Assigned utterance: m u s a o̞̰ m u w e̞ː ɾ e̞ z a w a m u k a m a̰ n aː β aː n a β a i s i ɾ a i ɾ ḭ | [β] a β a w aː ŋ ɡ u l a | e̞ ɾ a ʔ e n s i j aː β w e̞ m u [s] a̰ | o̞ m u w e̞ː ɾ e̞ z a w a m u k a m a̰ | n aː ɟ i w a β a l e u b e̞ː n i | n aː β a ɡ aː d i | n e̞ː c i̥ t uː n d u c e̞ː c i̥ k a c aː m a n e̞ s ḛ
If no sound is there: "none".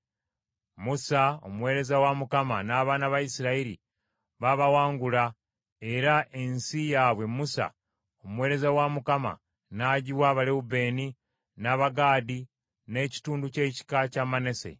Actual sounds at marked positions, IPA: β, s

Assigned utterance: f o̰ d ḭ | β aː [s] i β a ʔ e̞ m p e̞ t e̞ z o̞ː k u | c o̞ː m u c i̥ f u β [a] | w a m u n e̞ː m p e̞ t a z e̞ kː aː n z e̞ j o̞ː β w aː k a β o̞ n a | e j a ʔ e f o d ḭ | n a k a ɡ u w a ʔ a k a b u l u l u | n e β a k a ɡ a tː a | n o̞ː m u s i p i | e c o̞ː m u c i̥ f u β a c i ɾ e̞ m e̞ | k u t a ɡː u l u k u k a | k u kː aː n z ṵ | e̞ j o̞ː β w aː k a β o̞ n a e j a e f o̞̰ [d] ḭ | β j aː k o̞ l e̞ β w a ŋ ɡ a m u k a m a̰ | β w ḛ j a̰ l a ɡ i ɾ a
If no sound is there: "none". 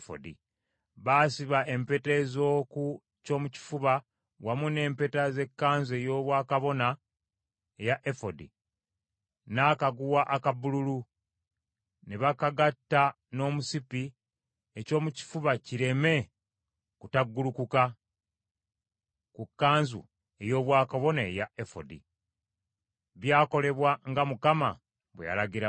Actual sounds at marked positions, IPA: s, a, d

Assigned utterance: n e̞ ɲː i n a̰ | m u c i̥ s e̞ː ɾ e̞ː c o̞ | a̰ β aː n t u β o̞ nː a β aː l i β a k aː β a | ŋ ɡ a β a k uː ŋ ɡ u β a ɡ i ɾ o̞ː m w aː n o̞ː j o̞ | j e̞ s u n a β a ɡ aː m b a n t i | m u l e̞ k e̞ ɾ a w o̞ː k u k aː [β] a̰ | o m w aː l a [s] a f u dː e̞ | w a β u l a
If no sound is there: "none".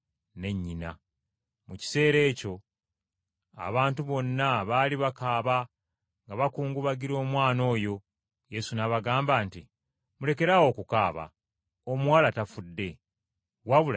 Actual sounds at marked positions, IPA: β, t

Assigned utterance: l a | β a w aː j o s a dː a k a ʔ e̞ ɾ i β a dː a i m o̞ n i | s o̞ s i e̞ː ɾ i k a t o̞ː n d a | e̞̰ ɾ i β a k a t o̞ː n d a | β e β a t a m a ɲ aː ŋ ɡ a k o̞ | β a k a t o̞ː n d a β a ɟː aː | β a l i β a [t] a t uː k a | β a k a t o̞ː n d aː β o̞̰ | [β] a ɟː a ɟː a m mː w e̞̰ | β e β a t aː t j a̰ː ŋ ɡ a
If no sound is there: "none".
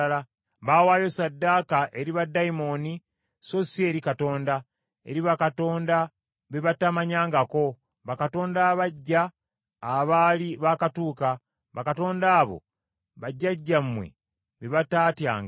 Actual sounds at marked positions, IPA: k, β

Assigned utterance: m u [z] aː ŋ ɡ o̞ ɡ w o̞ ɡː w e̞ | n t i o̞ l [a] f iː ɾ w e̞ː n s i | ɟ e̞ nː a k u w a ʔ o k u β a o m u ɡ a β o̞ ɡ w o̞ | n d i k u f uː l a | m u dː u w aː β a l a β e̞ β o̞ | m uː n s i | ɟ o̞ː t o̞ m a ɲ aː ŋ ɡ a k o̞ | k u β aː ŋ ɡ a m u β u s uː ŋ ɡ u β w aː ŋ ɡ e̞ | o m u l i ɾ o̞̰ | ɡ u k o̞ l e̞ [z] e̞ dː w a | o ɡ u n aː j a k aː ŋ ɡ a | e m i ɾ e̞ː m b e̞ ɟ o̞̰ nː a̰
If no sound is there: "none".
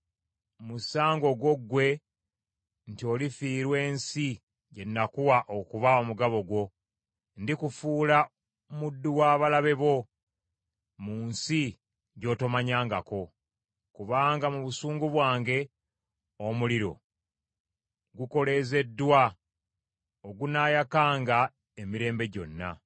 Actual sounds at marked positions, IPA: s, i, z

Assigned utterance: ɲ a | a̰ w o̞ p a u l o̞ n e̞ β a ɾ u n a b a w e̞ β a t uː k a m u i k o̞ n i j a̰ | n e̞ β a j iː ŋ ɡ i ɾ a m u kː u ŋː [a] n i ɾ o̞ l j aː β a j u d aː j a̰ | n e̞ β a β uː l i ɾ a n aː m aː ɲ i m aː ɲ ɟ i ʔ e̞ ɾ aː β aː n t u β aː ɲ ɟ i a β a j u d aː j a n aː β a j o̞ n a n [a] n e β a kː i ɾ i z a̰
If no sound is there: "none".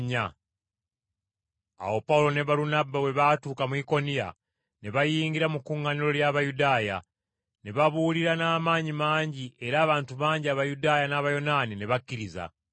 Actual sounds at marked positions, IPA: a, i

